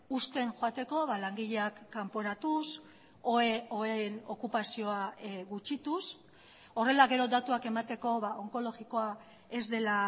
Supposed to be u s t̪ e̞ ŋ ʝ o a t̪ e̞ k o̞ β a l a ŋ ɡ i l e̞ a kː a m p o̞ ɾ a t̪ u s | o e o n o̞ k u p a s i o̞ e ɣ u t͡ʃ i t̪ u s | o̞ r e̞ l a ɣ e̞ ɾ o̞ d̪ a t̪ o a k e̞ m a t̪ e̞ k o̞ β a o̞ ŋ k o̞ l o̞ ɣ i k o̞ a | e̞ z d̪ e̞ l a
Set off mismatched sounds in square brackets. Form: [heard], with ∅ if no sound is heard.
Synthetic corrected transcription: u s t̪ e̞ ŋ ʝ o a t̪ e̞ k o̞ β a l a ŋ ɡ i [ʎ] e̞ a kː a m p o̞ ɾ a t̪ u s | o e o n o̞ k u p a s i o̞ [a] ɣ u t͡ʃ i t̪ u s | o̞ r e̞ l a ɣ e̞ ɾ o̞ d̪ a t̪ [u] a k e̞ m a t̪ e̞ k o̞ β a o̞ ŋ k o̞ l o̞ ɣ i k o̞ a | e̞ z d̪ e̞ l a